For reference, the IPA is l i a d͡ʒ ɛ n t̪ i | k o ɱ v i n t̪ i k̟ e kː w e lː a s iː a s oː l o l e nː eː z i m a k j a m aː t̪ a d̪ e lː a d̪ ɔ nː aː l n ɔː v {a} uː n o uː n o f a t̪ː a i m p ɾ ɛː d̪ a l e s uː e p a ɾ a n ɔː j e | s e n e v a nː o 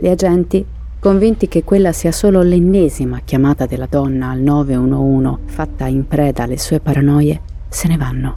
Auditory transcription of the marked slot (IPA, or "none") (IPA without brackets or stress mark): e